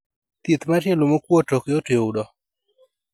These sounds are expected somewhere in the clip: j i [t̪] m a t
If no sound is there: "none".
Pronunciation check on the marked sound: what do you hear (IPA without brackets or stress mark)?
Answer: t̪